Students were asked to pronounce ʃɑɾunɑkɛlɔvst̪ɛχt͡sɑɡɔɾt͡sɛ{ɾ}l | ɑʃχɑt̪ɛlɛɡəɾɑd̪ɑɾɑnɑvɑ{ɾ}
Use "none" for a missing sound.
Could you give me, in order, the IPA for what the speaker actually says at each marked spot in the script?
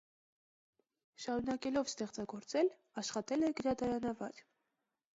none, ɾ

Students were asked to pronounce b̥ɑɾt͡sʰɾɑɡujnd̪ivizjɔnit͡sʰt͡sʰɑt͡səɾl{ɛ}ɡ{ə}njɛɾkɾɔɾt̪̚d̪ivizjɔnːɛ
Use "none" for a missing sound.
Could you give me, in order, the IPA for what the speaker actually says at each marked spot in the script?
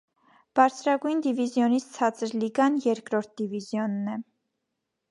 i, ɑ

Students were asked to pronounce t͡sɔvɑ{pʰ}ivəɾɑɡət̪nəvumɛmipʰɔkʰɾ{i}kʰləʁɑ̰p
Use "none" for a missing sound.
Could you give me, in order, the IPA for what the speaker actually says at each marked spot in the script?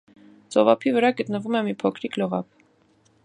pʰ, i

